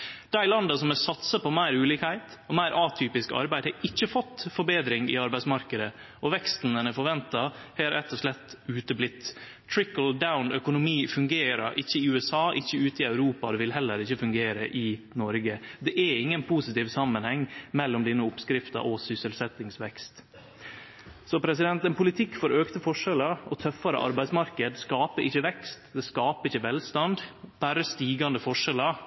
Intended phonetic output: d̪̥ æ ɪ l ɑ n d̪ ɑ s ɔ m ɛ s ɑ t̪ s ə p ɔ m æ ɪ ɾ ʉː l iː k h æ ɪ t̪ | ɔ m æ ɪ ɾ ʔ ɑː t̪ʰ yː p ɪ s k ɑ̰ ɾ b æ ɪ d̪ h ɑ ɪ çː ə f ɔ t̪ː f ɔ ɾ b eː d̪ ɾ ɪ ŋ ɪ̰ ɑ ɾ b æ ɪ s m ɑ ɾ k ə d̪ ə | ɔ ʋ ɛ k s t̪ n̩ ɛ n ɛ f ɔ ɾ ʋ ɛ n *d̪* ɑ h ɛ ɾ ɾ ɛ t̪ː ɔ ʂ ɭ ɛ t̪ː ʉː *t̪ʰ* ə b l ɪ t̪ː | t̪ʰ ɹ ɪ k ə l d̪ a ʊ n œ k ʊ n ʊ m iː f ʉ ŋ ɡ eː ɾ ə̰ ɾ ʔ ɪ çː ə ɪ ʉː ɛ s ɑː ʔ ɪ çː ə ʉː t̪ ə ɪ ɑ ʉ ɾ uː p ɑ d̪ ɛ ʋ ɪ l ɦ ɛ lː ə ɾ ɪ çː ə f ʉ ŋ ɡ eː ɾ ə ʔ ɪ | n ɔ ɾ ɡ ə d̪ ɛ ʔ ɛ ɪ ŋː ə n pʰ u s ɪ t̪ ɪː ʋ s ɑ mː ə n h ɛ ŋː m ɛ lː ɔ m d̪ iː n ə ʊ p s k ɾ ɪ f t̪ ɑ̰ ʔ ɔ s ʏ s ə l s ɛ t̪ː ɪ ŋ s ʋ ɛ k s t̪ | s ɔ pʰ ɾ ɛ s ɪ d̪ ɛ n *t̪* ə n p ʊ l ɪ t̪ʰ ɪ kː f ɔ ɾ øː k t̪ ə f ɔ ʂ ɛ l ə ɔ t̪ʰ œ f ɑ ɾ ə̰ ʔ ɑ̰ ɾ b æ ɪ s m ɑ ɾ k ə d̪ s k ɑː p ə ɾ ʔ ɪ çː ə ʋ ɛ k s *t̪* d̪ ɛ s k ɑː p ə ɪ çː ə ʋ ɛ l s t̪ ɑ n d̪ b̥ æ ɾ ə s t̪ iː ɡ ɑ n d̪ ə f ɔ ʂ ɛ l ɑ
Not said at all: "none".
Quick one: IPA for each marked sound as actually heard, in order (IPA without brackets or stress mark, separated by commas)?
t̪, t̪, t̪, t̪